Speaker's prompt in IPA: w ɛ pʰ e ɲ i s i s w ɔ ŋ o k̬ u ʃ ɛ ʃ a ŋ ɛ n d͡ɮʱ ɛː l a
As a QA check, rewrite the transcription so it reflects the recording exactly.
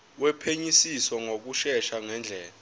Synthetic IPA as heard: w ɛ pʰ e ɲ i s i s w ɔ ŋ o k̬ u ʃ ɛ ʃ a ŋ ɛ n d͡ɮʱ ɛː l a